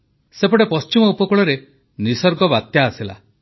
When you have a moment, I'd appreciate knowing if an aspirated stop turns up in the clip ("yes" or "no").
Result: no